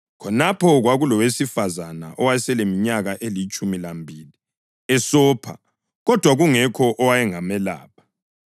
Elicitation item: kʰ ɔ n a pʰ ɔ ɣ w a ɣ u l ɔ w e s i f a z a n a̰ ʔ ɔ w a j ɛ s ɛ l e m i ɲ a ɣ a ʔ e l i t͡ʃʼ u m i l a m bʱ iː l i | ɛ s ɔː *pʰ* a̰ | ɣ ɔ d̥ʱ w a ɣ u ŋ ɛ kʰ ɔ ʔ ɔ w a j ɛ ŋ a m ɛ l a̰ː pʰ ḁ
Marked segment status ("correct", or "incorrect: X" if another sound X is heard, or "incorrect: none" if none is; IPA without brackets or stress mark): correct